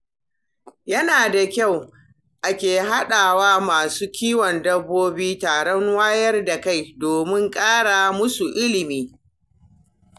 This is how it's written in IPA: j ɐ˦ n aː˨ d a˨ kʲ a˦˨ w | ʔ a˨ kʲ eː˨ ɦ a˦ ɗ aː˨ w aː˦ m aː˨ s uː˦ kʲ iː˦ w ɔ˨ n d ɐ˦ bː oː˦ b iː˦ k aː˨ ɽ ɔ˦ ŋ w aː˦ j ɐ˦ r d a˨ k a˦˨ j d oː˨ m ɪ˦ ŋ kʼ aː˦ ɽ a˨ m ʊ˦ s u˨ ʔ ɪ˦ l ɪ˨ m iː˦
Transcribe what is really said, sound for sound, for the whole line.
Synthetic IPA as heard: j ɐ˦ n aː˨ d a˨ kʲ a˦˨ w | ʔ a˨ kʲ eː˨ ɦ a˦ ɗ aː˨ w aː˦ m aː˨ s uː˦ kʲ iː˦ w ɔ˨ n d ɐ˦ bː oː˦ b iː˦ t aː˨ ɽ ɔ˦ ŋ w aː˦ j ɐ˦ r d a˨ k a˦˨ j d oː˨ m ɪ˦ ŋ kʼ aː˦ ɽ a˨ m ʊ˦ s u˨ ʔ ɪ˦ l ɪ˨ m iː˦